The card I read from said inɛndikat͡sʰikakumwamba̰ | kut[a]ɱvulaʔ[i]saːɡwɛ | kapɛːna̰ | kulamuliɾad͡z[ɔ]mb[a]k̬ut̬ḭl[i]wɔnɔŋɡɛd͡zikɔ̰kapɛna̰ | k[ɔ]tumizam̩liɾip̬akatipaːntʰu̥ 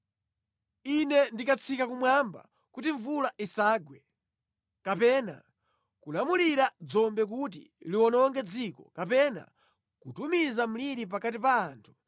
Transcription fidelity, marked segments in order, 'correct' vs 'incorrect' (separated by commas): incorrect, correct, correct, incorrect, correct, incorrect